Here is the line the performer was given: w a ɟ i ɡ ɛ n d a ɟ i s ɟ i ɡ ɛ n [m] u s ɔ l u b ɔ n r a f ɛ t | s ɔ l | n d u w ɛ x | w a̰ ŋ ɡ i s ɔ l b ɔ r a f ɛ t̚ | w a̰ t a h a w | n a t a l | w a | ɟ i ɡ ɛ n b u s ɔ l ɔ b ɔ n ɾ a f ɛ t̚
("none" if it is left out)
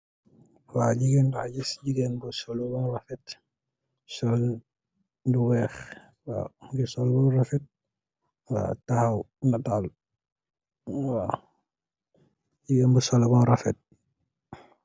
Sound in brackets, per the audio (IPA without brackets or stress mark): b